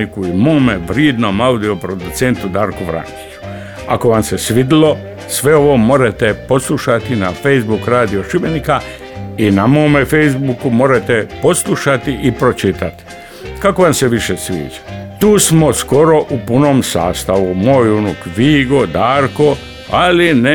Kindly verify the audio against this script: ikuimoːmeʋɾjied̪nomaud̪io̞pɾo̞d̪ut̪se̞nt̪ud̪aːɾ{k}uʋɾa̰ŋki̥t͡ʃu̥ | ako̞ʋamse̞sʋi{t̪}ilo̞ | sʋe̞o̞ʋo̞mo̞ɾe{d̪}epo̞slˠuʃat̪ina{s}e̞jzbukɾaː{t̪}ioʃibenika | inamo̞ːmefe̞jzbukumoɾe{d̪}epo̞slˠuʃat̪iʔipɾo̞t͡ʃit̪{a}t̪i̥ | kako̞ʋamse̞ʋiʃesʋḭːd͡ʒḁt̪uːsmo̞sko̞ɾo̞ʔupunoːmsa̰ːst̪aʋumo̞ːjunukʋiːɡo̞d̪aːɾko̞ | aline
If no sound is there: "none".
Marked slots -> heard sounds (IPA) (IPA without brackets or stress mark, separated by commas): k, d̪, t̪, f, d̪, t̪, a